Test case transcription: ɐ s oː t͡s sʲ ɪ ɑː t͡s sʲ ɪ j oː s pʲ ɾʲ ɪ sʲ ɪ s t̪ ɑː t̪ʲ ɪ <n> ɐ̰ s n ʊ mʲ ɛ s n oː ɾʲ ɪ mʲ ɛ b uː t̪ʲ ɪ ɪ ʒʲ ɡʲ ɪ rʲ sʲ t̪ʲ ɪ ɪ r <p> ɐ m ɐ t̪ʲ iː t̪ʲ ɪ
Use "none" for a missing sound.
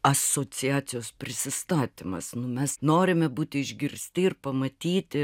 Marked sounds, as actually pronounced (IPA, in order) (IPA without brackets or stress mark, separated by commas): m, p